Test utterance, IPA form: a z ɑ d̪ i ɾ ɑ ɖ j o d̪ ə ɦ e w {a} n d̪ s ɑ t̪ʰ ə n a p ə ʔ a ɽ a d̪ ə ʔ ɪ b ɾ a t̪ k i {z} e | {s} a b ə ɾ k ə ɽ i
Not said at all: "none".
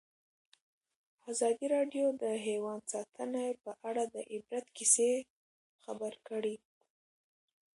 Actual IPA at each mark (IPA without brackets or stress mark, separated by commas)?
ɑ, s, x